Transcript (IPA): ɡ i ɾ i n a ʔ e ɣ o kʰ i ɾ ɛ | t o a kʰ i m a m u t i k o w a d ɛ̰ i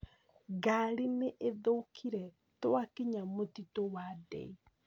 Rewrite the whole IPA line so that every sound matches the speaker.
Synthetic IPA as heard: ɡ a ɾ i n e ʔ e ð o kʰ i ɾ ɛ | t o a k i ɲ a m o t i t o w a d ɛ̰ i